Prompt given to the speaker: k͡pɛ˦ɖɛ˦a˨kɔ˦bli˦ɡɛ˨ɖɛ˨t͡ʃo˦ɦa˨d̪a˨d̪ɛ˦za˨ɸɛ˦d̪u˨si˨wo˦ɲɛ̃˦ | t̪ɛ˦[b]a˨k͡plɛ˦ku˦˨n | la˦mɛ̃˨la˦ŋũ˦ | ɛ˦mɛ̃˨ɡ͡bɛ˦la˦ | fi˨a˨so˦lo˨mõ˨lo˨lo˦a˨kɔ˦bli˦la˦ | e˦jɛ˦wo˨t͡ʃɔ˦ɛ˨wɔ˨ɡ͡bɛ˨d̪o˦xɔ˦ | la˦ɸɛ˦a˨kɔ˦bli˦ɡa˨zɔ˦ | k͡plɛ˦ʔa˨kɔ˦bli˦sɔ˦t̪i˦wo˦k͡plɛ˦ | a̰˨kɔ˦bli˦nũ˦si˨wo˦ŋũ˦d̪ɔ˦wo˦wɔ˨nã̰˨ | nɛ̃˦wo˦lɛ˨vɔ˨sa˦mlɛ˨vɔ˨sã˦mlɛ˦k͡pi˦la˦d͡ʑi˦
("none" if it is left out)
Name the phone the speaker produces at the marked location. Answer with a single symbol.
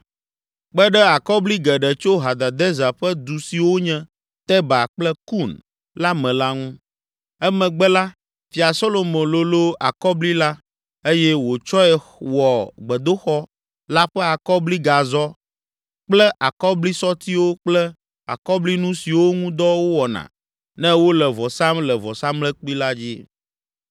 b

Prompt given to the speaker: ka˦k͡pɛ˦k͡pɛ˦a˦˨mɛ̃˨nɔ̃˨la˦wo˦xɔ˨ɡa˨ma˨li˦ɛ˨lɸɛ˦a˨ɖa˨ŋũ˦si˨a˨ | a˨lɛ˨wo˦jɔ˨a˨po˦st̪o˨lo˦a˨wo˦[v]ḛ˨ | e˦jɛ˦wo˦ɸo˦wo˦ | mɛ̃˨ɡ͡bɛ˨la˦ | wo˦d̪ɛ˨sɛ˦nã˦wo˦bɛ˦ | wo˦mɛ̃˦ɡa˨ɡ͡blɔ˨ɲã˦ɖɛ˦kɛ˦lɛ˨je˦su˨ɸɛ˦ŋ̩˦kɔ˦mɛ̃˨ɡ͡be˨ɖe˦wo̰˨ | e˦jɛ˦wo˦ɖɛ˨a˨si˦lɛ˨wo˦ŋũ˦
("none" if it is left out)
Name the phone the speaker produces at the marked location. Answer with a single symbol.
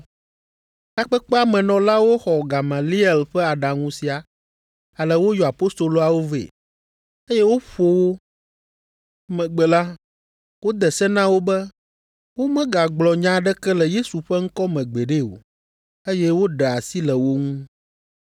v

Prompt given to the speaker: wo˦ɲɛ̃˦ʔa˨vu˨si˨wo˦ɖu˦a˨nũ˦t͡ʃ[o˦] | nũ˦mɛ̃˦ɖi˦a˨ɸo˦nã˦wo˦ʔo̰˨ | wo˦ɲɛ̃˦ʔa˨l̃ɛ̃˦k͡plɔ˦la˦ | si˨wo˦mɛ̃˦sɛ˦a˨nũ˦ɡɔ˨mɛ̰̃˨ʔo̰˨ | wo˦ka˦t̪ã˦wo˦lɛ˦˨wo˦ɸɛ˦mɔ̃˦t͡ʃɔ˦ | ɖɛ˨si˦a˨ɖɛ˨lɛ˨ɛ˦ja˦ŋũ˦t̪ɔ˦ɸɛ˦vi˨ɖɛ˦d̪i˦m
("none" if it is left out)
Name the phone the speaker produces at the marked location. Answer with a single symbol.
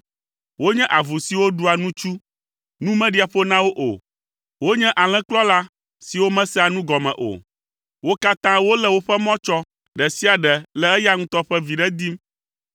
u˦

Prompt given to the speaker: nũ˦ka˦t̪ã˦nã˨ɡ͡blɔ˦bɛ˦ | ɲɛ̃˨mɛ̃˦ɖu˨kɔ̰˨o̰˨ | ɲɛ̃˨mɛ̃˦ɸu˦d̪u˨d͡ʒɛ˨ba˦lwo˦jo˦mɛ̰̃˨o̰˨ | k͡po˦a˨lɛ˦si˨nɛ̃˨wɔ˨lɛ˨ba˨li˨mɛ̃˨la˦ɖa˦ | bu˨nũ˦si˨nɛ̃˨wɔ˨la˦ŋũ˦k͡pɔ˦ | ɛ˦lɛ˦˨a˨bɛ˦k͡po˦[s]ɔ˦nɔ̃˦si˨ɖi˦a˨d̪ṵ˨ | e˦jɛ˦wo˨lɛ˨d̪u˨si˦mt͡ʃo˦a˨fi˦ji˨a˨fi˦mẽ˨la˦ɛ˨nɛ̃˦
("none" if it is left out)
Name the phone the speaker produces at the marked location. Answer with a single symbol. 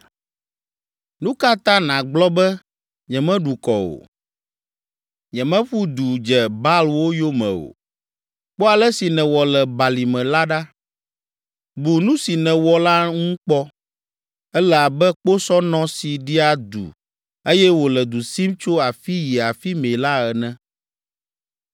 s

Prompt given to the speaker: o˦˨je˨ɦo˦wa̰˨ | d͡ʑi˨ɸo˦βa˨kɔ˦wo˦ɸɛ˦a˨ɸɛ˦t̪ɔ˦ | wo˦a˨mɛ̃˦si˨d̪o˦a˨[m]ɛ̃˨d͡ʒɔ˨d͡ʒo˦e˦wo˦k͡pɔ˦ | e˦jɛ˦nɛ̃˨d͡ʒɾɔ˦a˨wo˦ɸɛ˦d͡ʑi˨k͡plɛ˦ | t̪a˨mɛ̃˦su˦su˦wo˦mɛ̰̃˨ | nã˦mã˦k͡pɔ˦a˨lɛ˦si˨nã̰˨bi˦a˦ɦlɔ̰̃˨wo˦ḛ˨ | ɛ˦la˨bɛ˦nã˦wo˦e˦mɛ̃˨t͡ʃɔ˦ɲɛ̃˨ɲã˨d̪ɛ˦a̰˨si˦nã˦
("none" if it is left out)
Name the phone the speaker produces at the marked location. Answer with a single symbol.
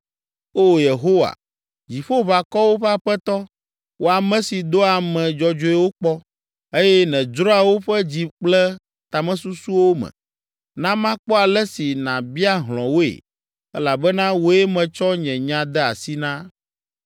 m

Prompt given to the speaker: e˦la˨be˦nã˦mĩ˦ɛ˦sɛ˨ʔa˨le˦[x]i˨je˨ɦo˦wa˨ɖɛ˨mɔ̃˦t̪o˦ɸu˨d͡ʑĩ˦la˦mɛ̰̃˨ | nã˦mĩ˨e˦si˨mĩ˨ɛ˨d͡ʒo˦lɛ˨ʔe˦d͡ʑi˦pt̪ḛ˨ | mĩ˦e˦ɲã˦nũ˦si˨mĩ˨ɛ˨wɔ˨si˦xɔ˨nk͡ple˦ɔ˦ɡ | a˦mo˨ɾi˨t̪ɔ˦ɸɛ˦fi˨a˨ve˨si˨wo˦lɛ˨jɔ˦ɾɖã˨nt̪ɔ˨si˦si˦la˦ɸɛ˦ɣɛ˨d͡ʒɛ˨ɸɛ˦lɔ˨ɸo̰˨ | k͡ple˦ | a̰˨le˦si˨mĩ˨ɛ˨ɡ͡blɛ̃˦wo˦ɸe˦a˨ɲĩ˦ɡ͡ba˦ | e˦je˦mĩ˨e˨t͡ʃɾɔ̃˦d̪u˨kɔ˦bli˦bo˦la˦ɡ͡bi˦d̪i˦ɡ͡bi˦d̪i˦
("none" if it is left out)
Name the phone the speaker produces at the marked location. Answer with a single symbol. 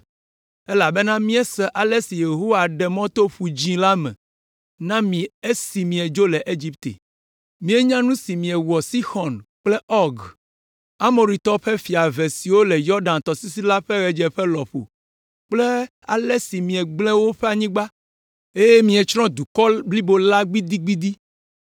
s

